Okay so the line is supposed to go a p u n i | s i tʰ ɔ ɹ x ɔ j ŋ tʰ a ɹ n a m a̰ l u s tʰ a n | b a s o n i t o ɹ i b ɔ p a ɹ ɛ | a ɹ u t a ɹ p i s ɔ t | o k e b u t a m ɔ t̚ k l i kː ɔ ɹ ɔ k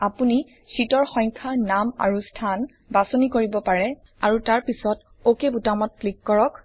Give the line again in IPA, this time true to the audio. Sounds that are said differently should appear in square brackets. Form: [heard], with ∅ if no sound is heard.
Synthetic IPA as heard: a p u n i | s i [t] ɔ ɹ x ɔ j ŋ [kʰ] a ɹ n a m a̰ [ɹ] u s tʰ a n | b a s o n i [k] o ɹ i b ɔ p a ɹ ɛ | a ɹ u t a ɹ p i s ɔ t | o k e b u t a m ɔ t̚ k l i kː ɔ ɹ ɔ k